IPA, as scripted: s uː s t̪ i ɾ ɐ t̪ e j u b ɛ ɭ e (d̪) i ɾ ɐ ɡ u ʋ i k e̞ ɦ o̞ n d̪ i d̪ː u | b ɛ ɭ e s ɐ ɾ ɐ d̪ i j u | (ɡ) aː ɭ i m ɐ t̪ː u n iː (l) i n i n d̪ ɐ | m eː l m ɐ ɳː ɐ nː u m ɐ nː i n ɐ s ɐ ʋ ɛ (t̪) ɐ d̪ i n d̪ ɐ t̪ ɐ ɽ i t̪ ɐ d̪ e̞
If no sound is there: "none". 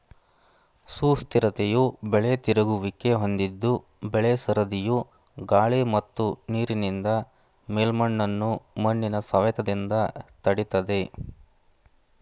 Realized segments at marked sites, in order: t̪, ɡ, ɾ, t̪

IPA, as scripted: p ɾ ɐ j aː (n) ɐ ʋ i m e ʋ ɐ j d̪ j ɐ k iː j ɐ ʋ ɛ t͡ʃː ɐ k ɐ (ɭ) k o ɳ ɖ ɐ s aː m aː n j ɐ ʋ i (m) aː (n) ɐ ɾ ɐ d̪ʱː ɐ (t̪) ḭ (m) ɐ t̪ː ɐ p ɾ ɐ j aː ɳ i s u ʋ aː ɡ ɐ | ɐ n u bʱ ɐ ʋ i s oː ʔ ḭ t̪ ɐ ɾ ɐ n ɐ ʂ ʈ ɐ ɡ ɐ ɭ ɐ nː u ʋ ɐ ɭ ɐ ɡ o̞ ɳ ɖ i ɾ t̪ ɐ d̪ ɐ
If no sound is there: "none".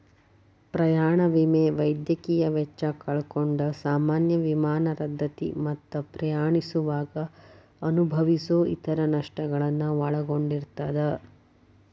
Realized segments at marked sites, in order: ɳ, ɭ, m, n, t̪, m

